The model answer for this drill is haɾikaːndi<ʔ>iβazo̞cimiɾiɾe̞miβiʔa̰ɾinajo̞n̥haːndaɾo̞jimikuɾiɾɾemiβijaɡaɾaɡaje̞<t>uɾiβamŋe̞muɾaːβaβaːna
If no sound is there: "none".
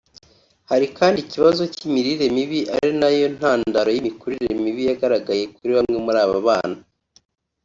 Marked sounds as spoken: c, k

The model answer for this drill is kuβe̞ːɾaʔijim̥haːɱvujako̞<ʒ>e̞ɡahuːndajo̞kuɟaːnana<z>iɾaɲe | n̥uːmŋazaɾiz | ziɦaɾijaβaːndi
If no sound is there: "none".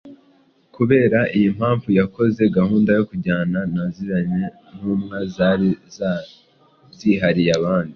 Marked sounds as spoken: z, z

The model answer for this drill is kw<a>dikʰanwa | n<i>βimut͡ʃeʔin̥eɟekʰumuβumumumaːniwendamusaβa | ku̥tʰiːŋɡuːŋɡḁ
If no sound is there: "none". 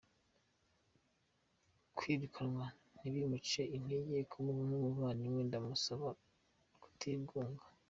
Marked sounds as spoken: i, i

